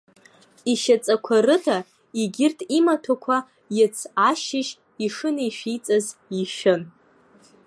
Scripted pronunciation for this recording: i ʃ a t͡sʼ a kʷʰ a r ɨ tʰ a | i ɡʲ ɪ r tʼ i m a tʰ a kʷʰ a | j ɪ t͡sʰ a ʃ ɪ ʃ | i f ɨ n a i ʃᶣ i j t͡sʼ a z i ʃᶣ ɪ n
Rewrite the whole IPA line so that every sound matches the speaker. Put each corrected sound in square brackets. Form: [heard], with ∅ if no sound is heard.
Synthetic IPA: i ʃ a t͡sʼ a kʷʰ a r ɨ tʰ a | i ɡʲ ɪ r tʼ i m a tʰ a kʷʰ a | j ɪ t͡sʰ a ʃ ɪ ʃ | i [ʂ] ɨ n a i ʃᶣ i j t͡sʼ a z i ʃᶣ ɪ n